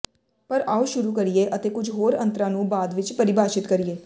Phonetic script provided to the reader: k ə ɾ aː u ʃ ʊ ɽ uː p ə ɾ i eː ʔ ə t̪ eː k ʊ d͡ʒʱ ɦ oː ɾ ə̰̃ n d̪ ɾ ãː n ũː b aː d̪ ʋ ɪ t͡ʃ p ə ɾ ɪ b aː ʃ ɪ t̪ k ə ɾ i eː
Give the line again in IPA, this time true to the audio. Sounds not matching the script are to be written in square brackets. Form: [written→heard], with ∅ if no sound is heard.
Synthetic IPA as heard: [k→p] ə ɾ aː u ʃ ʊ [ɽ→ɾ] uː [p→k] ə ɾ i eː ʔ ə t̪ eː k ʊ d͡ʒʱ ɦ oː ɾ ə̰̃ n [d̪→t̪] ɾ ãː n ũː b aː d̪ ʋ ɪ t͡ʃ p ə ɾ ɪ b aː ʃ ɪ t̪ k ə ɾ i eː